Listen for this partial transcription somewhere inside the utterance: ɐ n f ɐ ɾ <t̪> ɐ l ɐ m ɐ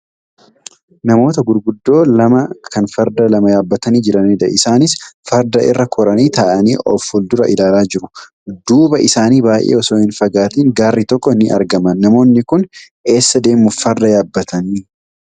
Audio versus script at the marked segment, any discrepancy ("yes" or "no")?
yes